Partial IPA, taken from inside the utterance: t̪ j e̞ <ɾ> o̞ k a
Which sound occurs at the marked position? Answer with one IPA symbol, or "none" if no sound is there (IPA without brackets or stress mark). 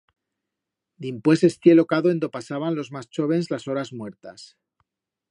l